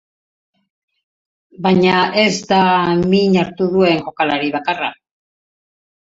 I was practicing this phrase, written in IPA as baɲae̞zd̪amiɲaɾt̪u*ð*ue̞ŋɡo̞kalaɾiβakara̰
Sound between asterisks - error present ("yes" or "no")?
no